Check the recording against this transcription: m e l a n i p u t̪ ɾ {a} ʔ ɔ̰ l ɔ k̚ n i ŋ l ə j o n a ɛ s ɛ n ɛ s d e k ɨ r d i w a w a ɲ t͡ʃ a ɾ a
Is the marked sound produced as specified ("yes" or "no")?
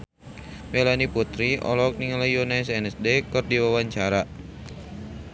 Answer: no